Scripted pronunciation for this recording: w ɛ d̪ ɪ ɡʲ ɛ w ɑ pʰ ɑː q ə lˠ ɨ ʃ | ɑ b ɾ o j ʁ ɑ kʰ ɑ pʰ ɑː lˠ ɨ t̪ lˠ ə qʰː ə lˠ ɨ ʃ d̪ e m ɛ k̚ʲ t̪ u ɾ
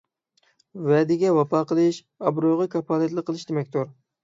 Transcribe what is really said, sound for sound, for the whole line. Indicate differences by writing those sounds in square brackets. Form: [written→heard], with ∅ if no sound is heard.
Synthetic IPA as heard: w ɛ d̪ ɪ ɡʲ ɛ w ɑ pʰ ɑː q ə lˠ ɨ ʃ | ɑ b ɾ o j ʁ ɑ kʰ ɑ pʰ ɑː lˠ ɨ t̪ lˠ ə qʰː ə lˠ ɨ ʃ d̪ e m ɛ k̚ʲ t̪ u ɾ

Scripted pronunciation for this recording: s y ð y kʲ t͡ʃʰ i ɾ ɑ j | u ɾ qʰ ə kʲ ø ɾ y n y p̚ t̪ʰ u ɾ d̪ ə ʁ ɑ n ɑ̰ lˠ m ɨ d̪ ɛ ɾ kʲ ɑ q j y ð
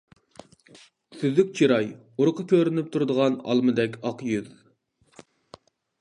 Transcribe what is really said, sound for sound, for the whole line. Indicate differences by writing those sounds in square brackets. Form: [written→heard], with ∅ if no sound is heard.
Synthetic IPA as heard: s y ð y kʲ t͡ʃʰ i ɾ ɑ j | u ɾ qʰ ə kʲ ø ɾ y n y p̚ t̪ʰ u ɾ d̪ ə ʁ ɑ n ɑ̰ lˠ m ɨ d̪ ɛ [ɾ→∅] kʲ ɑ q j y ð

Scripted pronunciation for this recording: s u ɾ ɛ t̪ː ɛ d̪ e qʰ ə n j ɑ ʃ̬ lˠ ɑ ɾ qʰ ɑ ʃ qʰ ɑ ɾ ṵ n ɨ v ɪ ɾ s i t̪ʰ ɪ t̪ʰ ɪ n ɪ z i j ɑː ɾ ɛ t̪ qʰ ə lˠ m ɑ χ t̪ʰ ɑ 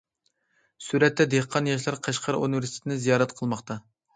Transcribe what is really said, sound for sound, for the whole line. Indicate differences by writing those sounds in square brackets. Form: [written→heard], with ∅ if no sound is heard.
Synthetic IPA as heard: s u ɾ ɛ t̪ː ɛ d̪ e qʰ [ə→ɑ] n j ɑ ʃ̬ lˠ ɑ ɾ qʰ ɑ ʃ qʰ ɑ ɾ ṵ n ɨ v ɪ ɾ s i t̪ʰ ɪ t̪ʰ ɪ n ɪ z i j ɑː ɾ ɛ t̪ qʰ ə lˠ m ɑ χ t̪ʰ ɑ

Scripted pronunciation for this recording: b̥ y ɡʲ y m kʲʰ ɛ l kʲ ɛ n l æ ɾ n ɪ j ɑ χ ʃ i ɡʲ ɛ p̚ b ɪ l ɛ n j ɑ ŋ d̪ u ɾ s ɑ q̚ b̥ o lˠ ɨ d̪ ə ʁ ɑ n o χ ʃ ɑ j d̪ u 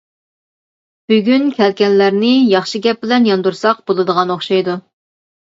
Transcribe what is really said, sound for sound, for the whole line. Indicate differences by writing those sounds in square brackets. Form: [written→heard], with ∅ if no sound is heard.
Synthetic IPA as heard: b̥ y ɡʲ y [m→n] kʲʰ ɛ l kʲ ɛ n l æ ɾ n ɪ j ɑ χ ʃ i ɡʲ ɛ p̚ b ɪ l ɛ n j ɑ [ŋ→n] d̪ u ɾ s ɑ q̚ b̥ o lˠ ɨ d̪ ə ʁ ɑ n o χ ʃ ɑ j d̪ u

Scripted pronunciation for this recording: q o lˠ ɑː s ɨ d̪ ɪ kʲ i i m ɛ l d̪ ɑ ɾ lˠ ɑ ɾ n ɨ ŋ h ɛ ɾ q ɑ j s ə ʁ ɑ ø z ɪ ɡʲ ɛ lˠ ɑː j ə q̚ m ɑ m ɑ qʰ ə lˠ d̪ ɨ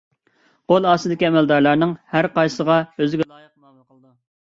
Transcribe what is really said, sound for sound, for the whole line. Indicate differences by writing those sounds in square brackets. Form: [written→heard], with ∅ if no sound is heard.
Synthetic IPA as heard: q o lˠ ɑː s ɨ d̪ ɪ kʲ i [i→ɛ] m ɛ l d̪ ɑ ɾ lˠ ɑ ɾ n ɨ ŋ h [ɛ→æ] ɾ q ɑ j s ə ʁ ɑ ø z ɪ ɡʲ ɛ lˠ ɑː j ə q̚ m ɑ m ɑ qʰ ə lˠ d̪ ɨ

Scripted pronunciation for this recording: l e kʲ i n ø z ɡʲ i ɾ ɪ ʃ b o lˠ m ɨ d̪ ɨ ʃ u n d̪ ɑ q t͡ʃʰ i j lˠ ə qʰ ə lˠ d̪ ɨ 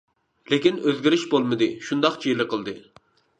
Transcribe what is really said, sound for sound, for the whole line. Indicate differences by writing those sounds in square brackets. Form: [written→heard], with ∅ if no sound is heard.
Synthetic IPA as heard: l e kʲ i n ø z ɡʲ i ɾ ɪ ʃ b o lˠ m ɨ d̪ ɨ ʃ u n d̪ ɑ q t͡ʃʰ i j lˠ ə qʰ ə lˠ d̪ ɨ

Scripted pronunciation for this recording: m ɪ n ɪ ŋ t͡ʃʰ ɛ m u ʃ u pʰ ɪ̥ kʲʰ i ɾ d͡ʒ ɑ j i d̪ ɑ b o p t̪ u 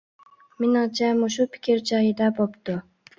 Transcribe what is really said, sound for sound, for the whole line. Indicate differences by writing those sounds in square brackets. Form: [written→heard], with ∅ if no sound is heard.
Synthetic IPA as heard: m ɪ n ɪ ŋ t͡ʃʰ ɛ m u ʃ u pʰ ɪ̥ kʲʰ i ɾ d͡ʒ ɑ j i d̪ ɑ b o p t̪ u

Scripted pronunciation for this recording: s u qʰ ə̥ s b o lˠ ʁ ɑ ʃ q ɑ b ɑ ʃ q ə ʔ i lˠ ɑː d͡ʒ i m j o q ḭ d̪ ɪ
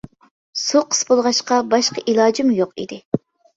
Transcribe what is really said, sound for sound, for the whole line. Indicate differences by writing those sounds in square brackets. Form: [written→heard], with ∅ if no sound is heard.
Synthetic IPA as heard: s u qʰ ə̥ s b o lˠ ʁ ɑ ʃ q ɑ b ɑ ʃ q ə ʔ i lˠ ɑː d͡ʒ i m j o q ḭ d̪ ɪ

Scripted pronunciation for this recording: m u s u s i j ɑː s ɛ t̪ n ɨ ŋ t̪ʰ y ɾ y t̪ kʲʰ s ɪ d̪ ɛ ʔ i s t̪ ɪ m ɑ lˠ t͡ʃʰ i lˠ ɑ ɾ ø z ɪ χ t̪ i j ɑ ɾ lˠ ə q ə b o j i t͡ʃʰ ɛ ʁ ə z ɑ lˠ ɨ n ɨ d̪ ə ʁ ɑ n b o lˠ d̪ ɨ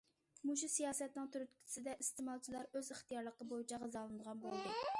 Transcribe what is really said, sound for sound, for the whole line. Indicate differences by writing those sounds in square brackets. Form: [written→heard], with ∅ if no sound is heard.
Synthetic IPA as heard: m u [s→ʃ] u s i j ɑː s ɛ t̪ n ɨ ŋ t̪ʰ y ɾ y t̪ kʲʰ s ɪ d̪ ɛ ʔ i s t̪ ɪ m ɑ lˠ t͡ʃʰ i lˠ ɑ ɾ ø z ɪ χ t̪ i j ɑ ɾ lˠ ə q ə b o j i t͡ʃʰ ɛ ʁ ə z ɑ lˠ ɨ n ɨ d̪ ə ʁ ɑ n b o lˠ d̪ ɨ

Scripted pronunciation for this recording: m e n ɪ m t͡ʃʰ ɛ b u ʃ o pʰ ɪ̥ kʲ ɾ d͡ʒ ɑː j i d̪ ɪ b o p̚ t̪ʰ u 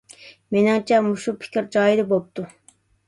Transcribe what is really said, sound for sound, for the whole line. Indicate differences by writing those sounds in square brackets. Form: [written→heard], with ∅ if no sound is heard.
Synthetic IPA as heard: m e n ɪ [m→ŋ] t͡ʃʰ ɛ [b→m] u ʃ [o→u] pʰ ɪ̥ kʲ ɾ d͡ʒ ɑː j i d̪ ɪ b o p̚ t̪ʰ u

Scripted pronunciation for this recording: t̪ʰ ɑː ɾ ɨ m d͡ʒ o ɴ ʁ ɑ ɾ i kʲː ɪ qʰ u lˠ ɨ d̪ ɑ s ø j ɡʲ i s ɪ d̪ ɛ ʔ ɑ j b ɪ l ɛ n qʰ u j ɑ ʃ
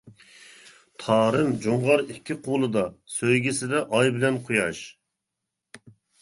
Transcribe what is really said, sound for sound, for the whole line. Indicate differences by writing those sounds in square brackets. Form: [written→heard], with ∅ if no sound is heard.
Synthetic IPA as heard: t̪ʰ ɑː ɾ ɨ m d͡ʒ o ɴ ʁ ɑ ɾ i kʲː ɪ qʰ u lˠ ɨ d̪ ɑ s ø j ɡʲ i s ɪ d̪ ɛ ʔ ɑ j b ɪ l ɛ n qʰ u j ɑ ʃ

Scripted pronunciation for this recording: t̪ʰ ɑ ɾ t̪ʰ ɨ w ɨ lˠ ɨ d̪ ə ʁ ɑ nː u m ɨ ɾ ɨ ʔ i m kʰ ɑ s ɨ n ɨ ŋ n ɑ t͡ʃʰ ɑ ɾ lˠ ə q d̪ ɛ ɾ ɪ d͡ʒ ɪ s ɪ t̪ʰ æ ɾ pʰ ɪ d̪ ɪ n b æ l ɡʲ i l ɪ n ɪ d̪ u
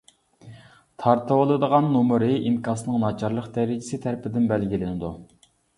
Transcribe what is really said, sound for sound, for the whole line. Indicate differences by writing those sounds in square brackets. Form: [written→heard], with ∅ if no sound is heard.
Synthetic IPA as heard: t̪ʰ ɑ ɾ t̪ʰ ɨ w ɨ lˠ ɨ d̪ ə ʁ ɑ nː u m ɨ ɾ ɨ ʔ i m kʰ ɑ s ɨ n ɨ ŋ n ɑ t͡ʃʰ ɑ ɾ lˠ ə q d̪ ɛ ɾ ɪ d͡ʒ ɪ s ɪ t̪ʰ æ ɾ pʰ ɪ d̪ ɪ n b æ l ɡʲ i l ɪ n ɪ d̪ u

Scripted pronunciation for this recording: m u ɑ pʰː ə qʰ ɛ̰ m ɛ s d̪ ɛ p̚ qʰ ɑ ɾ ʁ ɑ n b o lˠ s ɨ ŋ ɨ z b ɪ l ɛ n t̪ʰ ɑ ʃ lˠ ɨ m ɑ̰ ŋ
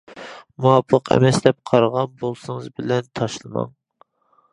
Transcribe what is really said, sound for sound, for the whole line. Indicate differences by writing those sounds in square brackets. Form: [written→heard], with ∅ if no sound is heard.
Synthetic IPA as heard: m u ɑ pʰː ə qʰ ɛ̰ m ɛ s d̪ ɛ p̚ qʰ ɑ ɾ ʁ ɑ n b o lˠ s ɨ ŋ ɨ z b ɪ l ɛ n t̪ʰ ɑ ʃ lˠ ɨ m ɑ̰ ŋ

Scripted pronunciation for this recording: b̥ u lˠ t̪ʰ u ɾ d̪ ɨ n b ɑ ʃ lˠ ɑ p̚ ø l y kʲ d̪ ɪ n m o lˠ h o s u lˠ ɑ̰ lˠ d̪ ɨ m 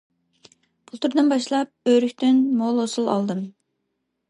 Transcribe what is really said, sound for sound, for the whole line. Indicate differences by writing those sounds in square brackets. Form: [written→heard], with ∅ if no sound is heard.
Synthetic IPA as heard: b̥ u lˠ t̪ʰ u ɾ d̪ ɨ n b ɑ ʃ lˠ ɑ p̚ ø [l→ɾ] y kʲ [d̪→t̪] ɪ n m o lˠ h o s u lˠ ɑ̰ lˠ d̪ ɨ m

